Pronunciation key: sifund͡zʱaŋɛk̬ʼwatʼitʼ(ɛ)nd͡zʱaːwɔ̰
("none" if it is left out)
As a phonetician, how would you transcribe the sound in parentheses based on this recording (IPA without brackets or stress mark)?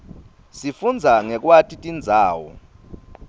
i